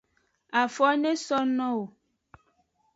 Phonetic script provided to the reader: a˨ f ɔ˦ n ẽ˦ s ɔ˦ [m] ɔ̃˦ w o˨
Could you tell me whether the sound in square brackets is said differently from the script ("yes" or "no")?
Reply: yes